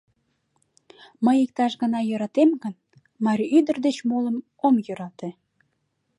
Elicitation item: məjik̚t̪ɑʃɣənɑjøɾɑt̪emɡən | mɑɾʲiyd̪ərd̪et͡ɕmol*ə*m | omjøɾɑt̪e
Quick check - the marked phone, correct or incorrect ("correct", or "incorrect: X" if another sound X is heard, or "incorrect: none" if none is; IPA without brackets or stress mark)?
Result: correct